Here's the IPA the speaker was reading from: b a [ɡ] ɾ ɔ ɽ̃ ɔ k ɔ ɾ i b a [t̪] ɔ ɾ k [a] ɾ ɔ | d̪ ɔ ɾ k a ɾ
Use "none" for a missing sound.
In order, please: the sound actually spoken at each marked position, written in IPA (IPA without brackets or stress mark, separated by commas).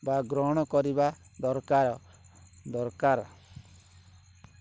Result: ɡ, d̪, a